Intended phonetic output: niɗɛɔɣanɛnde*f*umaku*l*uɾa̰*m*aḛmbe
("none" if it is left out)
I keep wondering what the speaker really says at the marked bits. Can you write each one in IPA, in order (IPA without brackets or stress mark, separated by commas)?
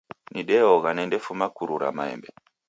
f, ɾ, m